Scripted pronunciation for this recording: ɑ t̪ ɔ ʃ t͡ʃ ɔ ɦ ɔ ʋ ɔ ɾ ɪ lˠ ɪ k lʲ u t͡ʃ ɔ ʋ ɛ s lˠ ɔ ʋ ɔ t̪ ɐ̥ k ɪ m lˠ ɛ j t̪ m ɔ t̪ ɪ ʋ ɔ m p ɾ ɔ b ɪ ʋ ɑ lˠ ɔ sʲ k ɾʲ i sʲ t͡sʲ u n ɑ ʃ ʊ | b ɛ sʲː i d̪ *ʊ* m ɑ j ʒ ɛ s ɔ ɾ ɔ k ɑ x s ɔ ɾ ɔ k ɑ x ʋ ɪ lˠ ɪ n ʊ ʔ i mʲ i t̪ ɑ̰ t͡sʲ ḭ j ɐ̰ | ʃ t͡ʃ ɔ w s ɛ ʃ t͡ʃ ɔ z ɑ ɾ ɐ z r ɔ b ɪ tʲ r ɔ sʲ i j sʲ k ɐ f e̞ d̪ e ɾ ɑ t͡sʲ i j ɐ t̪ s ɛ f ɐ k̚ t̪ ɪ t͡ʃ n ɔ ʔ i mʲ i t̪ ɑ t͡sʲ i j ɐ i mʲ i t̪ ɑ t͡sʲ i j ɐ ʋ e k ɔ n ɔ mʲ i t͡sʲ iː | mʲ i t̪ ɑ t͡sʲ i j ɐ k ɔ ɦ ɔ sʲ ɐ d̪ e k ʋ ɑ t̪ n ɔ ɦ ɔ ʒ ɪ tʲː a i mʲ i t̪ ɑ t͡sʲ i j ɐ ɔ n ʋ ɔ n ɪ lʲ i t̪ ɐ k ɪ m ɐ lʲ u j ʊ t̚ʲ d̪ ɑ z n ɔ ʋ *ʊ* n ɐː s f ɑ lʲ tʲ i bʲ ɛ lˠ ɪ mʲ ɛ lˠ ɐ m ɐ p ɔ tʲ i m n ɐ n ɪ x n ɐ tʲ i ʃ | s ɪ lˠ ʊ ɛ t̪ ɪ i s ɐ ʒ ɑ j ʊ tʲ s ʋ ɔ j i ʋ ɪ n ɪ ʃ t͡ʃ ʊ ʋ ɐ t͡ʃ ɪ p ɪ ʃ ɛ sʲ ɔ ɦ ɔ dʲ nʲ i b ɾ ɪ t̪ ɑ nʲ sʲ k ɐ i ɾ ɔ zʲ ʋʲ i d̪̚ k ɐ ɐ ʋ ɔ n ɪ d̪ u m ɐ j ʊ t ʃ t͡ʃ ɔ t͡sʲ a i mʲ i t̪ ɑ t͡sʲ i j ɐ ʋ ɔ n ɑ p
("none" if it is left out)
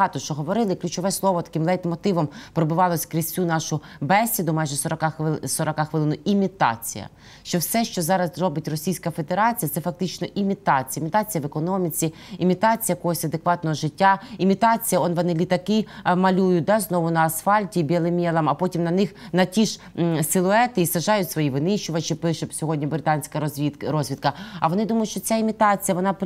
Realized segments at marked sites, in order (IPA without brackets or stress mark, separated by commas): ʊ, ʊ